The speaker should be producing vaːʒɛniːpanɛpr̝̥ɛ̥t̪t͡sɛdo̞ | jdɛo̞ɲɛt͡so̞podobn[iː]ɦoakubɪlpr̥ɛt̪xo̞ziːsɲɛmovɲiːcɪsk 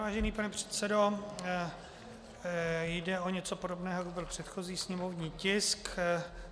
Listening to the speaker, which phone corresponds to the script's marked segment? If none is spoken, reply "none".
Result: ɛː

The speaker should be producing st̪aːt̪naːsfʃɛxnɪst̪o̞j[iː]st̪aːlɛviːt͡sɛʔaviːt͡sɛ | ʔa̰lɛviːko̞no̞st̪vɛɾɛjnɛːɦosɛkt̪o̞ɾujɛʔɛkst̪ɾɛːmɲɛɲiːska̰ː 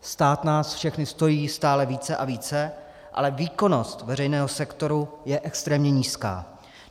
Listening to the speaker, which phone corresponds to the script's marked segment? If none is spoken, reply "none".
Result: iː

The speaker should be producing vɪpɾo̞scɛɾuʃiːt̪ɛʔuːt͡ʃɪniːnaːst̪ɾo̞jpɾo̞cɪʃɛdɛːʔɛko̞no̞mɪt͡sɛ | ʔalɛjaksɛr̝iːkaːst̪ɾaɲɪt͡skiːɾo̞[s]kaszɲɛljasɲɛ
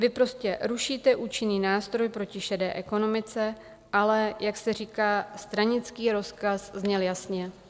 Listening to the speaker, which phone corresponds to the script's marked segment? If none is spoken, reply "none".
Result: s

